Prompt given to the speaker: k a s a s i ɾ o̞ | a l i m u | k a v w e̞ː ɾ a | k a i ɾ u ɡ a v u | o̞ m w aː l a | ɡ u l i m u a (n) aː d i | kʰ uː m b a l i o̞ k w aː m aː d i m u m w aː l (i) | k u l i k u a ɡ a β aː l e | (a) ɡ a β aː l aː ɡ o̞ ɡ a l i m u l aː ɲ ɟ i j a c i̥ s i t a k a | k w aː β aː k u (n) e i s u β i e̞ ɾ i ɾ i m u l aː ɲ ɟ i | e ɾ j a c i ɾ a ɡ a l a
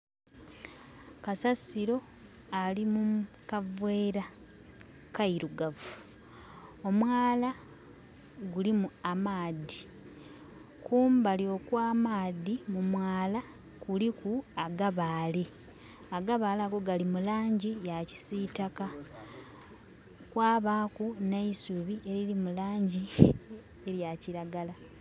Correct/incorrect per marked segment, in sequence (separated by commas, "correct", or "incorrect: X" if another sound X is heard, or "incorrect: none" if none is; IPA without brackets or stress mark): incorrect: m, incorrect: a, correct, correct